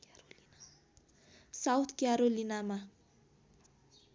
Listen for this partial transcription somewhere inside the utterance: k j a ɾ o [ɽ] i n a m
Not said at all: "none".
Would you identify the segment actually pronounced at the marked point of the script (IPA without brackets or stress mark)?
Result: l